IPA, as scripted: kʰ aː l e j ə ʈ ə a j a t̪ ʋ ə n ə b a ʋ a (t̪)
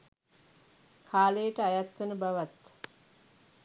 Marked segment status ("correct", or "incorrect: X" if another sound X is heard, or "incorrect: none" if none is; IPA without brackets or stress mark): correct